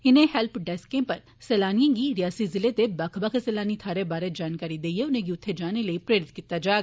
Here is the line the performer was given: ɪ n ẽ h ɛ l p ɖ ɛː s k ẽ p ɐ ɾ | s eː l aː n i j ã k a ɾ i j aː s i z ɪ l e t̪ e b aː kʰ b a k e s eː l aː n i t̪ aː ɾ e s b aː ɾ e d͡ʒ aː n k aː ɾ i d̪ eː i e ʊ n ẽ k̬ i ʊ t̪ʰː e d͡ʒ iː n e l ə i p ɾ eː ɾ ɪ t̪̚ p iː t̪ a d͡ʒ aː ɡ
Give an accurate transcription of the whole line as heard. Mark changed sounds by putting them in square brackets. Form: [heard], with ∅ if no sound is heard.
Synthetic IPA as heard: ɪ n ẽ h ɛ l p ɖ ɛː s k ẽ p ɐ ɾ | s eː l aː n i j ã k [i] ɾ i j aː s i z ɪ l e t̪ e b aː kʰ b a k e s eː l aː n i [t̪ʰ] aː ɾ e [∅] b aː ɾ e d͡ʒ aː n k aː ɾ i d̪ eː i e ʊ n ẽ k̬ i ʊ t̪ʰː e d͡ʒ [aː] n e l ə i p ɾ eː ɾ ɪ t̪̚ [k] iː t̪ a d͡ʒ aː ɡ